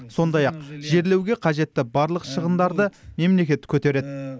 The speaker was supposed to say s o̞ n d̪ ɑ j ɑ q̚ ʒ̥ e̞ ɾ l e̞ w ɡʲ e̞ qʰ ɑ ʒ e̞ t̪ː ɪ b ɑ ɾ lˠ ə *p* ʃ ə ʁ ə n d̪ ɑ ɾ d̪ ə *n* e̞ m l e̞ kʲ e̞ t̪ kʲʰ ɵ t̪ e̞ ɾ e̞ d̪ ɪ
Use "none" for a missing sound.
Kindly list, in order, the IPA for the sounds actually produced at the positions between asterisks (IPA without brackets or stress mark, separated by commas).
q, m